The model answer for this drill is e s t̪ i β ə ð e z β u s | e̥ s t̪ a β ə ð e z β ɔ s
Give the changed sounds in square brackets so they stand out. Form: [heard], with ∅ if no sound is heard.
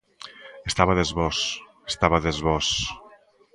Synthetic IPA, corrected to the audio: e s t̪ [a] β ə ð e z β [ɔ] s | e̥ s t̪ a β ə ð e z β ɔ s